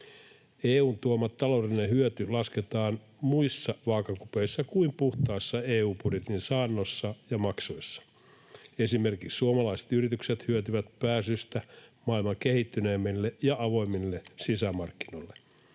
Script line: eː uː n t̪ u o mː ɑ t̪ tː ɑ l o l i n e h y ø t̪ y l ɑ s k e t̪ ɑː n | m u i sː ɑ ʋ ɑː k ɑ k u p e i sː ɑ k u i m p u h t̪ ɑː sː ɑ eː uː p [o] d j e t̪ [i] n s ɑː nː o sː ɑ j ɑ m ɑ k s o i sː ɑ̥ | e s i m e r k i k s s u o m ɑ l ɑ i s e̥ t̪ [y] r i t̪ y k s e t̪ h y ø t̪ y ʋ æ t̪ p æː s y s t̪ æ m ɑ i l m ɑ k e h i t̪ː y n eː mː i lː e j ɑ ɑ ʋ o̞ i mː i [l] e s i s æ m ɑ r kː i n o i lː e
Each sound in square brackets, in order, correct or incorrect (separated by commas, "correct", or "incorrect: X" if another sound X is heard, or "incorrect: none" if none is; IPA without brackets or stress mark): incorrect: u, correct, correct, incorrect: lː